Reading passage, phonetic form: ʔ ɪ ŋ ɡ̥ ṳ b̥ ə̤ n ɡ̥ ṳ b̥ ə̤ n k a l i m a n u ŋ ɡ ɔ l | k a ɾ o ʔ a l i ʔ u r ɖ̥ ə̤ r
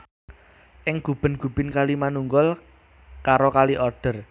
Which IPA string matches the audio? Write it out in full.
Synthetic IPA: ʔ ɪ ŋ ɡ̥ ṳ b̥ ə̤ n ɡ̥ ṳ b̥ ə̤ n k a l i m a n u ŋ ɡ ɔ l | k a ɾ o k a l i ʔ ɔ r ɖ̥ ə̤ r